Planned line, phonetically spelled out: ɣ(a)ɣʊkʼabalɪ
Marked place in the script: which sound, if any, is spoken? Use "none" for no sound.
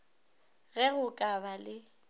ɛ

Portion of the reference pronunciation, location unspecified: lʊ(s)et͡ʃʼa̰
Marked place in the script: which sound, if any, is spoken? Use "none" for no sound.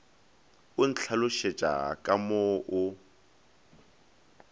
ʃ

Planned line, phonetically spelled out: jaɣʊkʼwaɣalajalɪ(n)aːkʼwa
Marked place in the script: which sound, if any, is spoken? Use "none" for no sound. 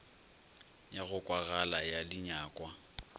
ɲ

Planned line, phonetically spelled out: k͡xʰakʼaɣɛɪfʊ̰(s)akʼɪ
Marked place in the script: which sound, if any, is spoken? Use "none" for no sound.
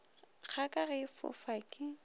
f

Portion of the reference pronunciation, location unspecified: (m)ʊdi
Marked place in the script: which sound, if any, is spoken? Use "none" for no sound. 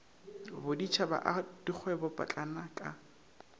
b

